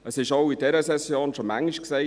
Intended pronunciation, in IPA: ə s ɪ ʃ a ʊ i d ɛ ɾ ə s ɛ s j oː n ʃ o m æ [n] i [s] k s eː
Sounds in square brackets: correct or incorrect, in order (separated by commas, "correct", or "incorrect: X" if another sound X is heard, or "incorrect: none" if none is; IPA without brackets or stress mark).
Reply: incorrect: ŋ, incorrect: ʃ